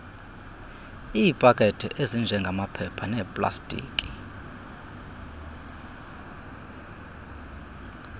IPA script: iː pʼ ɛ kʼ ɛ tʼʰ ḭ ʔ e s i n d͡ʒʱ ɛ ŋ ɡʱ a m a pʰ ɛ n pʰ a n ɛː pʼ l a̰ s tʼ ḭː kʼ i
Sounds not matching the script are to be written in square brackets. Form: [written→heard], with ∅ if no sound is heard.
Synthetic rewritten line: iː pʼ [ɛ→a] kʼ ɛ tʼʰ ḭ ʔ e [s→z] i n d͡ʒʱ ɛ ŋ ɡʱ a m a pʰ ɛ [n→∅] pʰ a n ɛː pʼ l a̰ s tʼ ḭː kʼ i